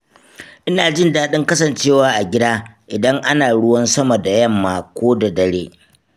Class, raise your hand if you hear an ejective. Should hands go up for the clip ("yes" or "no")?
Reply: no